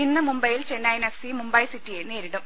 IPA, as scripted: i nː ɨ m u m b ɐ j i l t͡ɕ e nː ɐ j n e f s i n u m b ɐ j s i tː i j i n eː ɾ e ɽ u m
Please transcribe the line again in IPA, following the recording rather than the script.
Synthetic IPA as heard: i nː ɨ m u m b ɐ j i l t͡ɕ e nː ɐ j n e f s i m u m b ɐ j s i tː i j e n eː ɾ i ɽ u m